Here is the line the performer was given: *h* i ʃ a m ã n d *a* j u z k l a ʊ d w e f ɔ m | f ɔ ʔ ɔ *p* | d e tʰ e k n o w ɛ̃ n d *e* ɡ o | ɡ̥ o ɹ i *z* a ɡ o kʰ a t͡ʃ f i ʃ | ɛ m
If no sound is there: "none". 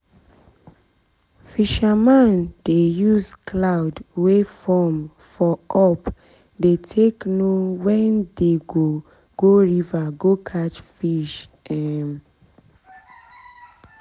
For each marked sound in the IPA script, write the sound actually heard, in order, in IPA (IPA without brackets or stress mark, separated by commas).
f, e, p, e, v